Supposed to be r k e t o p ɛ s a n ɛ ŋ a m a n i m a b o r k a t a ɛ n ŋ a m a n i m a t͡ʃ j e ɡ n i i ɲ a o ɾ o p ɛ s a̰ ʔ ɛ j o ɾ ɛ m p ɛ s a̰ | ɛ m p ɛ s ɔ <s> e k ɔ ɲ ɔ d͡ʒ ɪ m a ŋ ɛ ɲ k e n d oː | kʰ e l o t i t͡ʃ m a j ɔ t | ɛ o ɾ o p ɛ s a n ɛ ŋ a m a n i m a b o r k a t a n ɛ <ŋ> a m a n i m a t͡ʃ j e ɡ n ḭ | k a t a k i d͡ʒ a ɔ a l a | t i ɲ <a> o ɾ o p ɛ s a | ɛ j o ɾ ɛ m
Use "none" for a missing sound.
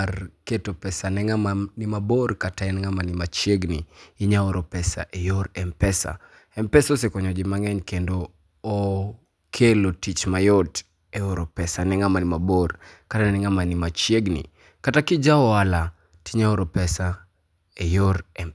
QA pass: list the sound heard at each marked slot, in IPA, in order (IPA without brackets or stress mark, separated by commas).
s, ŋ, a